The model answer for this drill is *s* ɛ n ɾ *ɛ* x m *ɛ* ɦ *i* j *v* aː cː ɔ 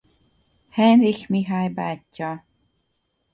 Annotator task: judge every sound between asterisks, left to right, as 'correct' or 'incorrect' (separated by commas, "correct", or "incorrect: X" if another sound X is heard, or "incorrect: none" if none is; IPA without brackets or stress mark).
incorrect: h, incorrect: i, incorrect: i, incorrect: a, incorrect: b